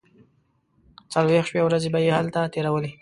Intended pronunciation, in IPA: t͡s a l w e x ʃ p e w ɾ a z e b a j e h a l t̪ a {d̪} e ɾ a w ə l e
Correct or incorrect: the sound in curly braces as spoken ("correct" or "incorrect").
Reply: incorrect